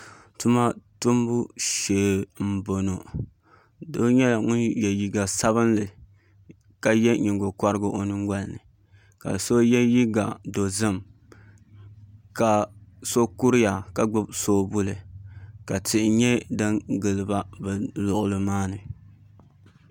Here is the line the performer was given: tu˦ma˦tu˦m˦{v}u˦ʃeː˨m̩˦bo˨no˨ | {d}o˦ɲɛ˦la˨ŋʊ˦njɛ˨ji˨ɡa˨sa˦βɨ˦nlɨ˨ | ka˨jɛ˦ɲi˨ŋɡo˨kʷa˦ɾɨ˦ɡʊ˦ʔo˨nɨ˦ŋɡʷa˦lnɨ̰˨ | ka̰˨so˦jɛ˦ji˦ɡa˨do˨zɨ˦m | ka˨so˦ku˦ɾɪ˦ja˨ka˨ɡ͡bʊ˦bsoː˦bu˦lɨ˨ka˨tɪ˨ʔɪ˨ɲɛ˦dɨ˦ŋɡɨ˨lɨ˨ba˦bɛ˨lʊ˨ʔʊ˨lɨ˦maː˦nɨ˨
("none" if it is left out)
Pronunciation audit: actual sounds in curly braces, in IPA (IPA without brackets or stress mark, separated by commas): b, d